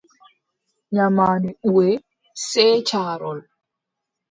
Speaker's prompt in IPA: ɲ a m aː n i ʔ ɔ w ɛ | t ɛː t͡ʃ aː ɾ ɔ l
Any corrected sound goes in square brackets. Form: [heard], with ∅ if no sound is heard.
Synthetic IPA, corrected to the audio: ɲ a m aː n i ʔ [u] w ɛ | [s] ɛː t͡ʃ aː ɾ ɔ l